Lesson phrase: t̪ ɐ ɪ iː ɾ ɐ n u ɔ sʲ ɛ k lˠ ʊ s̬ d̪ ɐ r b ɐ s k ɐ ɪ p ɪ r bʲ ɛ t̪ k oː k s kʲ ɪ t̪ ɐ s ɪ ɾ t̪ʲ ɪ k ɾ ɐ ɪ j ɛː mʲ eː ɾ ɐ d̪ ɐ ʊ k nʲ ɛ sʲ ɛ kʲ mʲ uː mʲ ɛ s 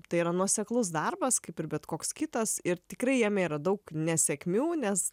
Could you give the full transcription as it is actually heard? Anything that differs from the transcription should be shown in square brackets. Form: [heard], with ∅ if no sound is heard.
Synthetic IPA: t̪ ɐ ɪ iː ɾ ɐ n u ɔ sʲ ɛ k lˠ ʊ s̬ d̪ ɐ r b ɐ s k ɐ ɪ p ɪ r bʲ ɛ t̪ k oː k s kʲ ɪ t̪ ɐ s ɪ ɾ t̪ʲ ɪ k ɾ ɐ ɪ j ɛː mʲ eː ɾ ɐ d̪ ɐ ʊ k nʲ ɛ sʲ ɛ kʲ mʲ uː [nʲ] ɛ s